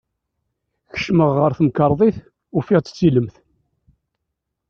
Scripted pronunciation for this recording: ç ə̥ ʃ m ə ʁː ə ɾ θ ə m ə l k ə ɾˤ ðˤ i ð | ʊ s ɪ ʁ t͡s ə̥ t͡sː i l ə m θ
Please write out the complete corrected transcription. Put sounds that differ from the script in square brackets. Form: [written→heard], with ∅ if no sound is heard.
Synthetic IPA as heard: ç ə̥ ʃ m ə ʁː ə ɾ θ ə m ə [l→∅] k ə ɾˤ ðˤ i [ð→θ] | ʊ [s→f] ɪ ʁ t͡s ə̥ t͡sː i l ə m θ